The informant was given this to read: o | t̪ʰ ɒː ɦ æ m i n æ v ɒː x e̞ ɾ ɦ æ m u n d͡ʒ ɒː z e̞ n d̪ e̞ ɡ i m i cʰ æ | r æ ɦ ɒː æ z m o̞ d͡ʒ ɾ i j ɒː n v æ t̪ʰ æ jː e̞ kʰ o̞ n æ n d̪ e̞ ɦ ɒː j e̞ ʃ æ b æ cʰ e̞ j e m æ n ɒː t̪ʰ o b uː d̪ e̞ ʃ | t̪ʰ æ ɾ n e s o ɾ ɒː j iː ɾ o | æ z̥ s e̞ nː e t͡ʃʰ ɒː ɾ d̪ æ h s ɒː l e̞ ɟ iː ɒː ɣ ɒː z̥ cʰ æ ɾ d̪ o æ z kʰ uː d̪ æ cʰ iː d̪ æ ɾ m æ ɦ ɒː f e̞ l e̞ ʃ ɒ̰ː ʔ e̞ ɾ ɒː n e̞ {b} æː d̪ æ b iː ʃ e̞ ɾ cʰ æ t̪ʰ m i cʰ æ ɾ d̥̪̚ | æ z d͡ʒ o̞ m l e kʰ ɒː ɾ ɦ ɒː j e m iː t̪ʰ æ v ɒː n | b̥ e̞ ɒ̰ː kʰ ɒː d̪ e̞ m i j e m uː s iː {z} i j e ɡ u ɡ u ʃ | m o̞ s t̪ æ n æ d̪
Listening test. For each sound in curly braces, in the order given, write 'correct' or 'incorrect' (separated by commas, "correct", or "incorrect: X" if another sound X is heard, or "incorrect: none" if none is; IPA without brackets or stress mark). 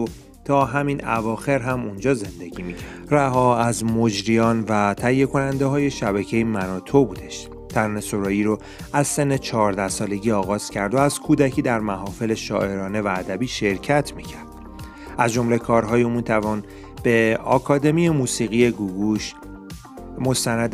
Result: incorrect: v, incorrect: ɣ